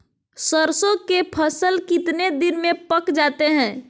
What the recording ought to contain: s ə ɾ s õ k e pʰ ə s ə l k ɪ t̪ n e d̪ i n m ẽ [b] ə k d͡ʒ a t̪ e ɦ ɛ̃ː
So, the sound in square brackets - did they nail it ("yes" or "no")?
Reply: no